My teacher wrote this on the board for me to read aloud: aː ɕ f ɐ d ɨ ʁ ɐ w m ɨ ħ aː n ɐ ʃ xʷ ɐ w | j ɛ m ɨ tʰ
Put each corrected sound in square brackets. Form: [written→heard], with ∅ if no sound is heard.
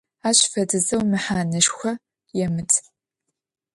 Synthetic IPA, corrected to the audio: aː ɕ f ɐ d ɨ [ʁ→z] ɐ w m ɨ ħ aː n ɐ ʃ xʷ ɐ [w→∅] | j ɛ m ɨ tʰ